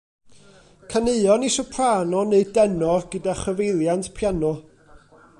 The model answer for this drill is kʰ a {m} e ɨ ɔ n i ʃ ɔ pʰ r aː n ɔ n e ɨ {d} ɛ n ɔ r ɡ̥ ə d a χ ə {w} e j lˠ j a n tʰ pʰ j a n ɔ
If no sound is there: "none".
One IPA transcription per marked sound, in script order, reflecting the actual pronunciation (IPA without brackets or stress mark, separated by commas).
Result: n, d, v